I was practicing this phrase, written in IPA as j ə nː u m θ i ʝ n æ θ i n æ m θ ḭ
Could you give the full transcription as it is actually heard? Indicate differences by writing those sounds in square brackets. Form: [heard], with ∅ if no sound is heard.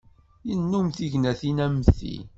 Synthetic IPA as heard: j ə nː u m θ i ʝ n æ θ i n æ m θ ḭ